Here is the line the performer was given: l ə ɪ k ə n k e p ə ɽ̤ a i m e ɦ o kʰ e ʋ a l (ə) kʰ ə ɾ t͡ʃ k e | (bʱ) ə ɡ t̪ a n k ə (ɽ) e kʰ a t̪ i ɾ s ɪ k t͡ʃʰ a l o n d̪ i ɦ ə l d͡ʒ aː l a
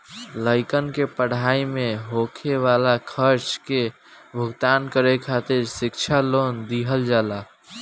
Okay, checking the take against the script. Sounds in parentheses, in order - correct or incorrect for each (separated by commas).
incorrect, correct, incorrect